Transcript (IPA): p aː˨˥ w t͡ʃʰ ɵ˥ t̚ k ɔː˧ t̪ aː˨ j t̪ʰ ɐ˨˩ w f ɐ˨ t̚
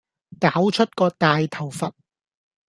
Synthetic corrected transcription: k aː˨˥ w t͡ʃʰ ɵ˥ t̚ k ɔː˧ t̪ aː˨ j t̪ʰ ɐ˨˩ w f ɐ˨ t̚

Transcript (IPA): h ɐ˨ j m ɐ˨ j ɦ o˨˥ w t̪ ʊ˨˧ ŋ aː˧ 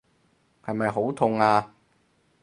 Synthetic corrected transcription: h ɐ˨ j m ɐ˨ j ɦ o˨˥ w t̪ʰ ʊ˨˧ ŋ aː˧

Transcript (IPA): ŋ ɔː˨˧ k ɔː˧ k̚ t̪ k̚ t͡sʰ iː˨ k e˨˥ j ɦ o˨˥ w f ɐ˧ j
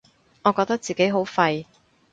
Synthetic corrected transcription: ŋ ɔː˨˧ k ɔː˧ k̚ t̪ k̚ t͡s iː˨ k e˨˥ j ɦ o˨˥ w f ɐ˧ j

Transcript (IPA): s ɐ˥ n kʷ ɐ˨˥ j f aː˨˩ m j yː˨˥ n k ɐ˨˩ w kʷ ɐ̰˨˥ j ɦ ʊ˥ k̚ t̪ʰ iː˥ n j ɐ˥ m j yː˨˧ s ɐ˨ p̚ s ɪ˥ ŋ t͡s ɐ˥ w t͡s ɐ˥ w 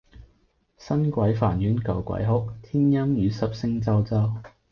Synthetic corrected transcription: s ɐ˥ n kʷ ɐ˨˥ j f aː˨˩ n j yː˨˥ n k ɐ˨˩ w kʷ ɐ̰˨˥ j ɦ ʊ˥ k̚ t̪ʰ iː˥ n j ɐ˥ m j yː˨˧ s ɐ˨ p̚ s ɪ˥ ŋ t͡s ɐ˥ w t͡s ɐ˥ w

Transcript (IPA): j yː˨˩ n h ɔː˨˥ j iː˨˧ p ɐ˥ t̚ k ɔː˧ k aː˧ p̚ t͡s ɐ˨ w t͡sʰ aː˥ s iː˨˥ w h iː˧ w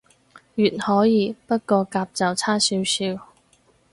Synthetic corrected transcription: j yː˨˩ n h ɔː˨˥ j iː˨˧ p ɐ˥ t̚ k ɔː˧ k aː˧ p̚ t͡s ɐ˨ w t͡sʰ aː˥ s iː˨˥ w s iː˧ w

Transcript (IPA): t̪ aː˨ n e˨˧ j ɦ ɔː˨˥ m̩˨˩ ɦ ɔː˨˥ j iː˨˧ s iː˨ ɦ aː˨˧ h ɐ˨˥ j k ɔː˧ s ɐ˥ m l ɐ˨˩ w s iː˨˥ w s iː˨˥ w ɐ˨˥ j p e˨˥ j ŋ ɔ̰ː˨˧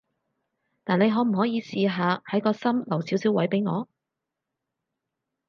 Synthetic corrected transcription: t̪ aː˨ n e˨˧ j ɦ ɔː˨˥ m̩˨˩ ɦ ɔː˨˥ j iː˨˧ s iː˨ ɦ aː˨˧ h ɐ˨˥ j k ɔː˧ s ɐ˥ m l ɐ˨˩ w s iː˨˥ w s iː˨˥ w ɐ˨˥ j p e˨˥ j ŋ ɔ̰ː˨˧

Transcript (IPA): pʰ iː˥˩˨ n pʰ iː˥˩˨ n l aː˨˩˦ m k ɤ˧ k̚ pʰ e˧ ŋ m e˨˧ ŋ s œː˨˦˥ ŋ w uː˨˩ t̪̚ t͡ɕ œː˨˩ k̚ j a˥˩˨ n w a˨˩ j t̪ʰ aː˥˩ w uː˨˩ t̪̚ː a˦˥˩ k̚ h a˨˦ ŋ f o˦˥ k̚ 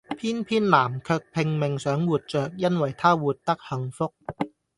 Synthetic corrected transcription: pʰ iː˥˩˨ n pʰ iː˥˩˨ n l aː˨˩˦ m kʰ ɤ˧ k̚ pʰ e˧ ŋ m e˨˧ ŋ s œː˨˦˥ ŋ w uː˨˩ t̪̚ t͡ɕ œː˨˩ k̚ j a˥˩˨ n w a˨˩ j t̪ʰ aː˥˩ w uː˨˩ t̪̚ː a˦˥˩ k̚ h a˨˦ ŋ f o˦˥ k̚

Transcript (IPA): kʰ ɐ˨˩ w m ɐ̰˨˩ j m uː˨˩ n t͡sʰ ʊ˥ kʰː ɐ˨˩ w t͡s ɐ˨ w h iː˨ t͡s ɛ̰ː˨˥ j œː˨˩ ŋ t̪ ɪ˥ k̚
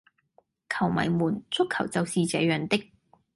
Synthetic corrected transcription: kʰ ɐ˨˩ w m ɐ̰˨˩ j m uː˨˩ n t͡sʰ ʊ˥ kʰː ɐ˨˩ w t͡s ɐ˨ w s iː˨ t͡s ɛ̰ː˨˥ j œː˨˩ ŋ t̪ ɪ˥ k̚

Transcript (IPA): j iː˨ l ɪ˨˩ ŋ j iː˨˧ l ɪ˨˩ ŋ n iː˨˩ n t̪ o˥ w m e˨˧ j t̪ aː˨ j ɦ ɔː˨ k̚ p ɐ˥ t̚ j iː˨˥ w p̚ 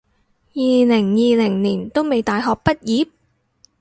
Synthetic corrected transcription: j iː˨ l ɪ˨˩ ŋ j iː˨˧ l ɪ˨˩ ŋ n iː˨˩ n t̪ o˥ w m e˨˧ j t̪ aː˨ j ɦ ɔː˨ k̚ p ɐ˥ t̚ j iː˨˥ p̚

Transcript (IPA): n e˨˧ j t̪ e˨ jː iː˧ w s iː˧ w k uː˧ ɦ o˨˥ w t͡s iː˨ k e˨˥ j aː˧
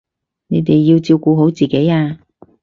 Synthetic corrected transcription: n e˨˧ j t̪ e˨ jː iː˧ w t͡s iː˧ w k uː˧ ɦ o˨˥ w t͡s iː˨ k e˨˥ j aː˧

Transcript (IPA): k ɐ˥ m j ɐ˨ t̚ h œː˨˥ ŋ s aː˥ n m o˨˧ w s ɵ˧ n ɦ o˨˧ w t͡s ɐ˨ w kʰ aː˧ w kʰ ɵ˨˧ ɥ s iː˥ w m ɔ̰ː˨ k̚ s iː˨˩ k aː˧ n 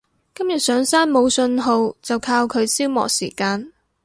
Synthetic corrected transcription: k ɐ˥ m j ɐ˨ t̚ s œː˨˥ ŋ s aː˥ n m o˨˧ w s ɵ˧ n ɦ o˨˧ w t͡s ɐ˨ w kʰ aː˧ w kʰ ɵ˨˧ ɥ s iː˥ w m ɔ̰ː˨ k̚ s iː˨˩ k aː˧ n

